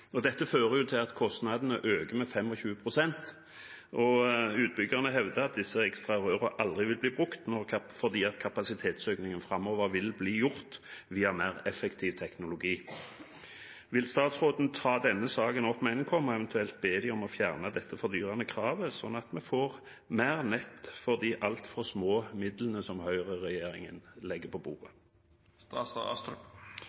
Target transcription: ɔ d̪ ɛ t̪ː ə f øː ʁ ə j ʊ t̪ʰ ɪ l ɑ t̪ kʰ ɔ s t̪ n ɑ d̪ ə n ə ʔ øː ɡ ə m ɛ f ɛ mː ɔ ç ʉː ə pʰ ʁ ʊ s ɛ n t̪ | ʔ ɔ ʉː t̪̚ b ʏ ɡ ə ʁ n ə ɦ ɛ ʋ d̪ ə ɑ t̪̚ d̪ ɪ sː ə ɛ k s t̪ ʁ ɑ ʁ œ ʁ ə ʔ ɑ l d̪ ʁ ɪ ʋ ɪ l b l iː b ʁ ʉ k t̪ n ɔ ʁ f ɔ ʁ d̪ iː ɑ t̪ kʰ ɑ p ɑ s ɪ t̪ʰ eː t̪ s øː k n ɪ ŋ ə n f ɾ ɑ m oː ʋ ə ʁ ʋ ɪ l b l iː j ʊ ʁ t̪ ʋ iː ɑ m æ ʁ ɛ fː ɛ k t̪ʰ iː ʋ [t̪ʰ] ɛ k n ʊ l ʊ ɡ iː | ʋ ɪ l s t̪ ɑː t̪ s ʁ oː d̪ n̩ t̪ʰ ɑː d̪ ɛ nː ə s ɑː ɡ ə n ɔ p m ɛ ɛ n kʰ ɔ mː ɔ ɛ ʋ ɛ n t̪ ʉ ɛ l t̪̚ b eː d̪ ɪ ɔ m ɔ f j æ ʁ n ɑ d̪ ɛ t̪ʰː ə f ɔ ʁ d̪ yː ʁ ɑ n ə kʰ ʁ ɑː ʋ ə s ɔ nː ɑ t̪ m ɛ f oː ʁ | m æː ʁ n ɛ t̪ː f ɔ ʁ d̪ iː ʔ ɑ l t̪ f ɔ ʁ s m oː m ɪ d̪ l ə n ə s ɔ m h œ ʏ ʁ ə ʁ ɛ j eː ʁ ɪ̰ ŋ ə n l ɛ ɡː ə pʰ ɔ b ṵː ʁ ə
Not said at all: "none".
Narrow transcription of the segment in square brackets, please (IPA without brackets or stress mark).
t̪ʰ